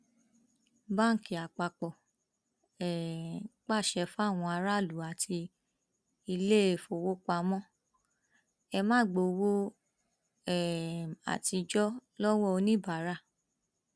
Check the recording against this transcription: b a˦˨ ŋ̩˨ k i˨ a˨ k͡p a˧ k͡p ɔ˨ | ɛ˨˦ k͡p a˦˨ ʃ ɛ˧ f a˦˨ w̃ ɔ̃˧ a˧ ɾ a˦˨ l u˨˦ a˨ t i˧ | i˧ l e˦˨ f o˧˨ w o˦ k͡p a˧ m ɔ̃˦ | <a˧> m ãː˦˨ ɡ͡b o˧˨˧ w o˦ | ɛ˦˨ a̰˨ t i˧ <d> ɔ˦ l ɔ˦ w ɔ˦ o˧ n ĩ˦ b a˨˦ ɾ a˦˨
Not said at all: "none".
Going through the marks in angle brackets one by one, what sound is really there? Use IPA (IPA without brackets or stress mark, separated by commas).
ɛ˧, d͡ʒ